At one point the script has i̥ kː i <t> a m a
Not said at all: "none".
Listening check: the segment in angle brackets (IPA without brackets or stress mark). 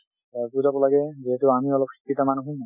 t